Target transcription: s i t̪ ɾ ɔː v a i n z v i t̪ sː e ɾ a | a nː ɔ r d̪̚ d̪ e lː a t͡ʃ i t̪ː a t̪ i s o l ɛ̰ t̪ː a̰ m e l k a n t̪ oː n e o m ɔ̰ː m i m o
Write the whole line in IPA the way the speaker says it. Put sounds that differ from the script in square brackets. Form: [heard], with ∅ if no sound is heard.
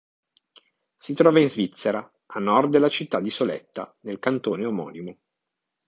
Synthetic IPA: s i t̪ ɾ ɔː v a i n z v i t̪ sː e ɾ a | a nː ɔ r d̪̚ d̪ e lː a t͡ʃ i t̪ː a [d̪] i s o l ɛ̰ t̪ː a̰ [n] e l k a n t̪ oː n e o m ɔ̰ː [n] i m o